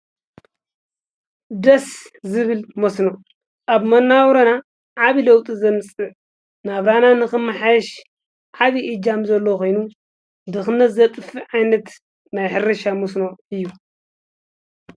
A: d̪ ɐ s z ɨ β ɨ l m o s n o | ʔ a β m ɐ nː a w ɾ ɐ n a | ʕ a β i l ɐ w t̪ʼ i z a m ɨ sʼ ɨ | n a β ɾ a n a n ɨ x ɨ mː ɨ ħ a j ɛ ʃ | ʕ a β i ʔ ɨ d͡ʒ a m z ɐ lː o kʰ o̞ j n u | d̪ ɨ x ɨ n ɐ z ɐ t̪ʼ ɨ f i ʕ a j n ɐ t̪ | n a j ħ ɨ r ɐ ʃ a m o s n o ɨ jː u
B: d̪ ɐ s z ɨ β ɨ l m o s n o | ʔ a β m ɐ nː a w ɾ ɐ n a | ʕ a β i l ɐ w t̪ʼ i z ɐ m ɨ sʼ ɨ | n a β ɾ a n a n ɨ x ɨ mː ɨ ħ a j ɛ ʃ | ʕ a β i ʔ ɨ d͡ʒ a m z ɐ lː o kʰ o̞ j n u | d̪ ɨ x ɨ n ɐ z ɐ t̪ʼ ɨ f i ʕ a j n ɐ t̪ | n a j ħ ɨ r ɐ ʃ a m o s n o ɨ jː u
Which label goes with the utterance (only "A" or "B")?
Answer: B